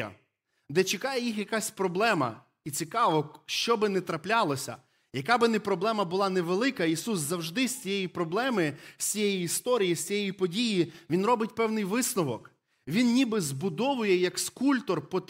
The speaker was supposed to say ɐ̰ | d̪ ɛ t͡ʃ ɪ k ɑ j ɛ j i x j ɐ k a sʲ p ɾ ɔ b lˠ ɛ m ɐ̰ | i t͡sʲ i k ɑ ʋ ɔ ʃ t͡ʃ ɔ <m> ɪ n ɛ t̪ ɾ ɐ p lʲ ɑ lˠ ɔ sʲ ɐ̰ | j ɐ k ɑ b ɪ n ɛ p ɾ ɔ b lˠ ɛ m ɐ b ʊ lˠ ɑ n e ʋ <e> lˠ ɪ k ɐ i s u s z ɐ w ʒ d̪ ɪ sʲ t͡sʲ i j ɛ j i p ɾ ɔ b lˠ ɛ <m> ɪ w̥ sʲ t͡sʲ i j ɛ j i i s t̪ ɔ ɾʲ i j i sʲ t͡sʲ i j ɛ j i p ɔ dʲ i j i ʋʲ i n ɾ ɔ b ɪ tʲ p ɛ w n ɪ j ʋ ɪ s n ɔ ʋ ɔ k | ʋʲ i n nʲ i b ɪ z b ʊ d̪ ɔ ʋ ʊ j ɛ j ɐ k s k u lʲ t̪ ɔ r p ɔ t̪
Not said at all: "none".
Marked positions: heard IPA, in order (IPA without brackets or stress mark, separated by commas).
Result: b, e, m